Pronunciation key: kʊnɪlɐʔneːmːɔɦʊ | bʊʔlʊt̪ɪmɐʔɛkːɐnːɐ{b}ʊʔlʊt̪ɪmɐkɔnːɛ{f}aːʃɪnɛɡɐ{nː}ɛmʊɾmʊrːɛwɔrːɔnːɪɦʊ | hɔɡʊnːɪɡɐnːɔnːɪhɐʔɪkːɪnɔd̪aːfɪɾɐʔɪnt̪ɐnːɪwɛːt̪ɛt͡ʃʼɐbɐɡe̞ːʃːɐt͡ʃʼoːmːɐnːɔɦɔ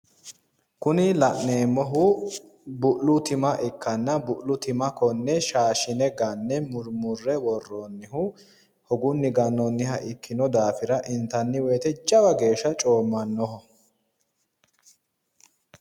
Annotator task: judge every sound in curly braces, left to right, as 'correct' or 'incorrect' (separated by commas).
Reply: correct, incorrect, correct